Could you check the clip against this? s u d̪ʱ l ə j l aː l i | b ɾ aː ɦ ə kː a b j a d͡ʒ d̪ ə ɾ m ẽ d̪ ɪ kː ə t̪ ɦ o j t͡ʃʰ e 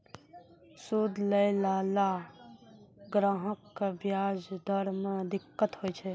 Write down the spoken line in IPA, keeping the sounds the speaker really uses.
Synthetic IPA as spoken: s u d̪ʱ l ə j l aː l a | ɡ ɾ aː ɦ ə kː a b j a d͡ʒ d̪ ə ɾ m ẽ d̪ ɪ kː ə t̪ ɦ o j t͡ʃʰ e